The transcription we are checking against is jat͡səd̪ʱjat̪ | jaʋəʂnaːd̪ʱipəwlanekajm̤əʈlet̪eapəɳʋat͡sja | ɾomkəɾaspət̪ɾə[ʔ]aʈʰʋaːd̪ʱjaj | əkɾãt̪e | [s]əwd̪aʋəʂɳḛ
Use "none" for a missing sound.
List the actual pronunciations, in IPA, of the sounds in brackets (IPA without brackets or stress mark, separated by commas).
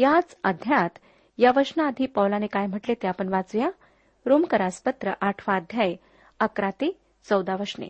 ʔ, t͡s